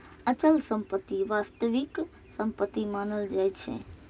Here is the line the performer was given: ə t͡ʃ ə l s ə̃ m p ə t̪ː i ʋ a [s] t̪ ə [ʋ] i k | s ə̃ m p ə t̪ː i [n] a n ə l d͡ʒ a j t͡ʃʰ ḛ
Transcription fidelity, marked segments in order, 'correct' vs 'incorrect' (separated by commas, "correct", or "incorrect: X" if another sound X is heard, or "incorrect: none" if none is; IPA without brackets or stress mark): correct, correct, incorrect: m